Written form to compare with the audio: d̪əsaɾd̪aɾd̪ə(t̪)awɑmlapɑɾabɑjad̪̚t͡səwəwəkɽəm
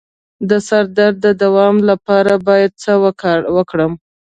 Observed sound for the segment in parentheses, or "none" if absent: d̪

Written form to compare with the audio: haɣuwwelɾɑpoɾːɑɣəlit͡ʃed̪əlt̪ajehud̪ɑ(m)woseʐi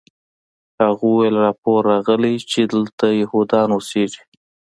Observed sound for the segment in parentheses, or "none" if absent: n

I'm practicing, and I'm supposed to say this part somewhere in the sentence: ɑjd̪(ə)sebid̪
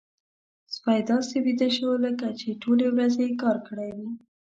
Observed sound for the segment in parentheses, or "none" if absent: ɑ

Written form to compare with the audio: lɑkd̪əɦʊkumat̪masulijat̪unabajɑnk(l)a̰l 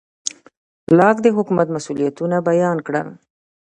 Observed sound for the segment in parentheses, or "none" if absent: ɽ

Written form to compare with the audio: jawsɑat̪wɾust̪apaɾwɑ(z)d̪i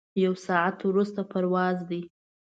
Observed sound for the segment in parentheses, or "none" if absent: z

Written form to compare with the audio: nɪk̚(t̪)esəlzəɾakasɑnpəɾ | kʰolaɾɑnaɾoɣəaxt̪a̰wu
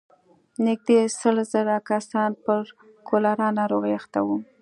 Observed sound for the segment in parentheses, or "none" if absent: d̪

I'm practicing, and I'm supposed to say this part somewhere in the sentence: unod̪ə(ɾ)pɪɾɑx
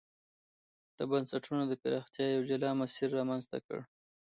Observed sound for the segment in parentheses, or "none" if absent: none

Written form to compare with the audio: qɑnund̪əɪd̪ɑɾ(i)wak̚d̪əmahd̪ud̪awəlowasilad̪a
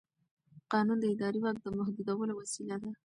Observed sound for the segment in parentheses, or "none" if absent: i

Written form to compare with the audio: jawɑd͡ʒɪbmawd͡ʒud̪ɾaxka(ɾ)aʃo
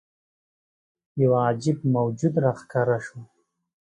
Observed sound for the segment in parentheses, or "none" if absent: ɾ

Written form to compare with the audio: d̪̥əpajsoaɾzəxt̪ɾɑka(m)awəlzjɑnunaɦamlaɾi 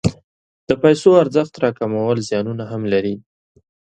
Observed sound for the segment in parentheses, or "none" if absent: m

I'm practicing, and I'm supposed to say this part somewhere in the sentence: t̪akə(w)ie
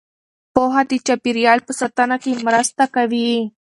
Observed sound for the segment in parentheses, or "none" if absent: ʋ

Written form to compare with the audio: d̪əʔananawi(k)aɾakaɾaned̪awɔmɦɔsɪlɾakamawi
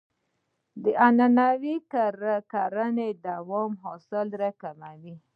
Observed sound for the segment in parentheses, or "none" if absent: k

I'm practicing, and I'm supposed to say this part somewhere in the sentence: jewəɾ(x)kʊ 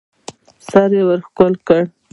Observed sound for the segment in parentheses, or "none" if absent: x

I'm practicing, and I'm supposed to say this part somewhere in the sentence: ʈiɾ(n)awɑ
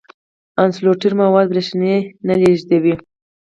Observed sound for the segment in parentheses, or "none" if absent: m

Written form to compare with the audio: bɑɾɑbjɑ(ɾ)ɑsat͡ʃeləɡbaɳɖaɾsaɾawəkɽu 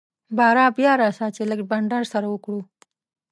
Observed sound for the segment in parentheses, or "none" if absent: ɾ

